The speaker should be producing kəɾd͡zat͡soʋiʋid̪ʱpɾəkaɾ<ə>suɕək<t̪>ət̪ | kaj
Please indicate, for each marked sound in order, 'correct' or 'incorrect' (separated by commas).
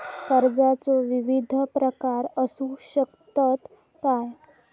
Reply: correct, correct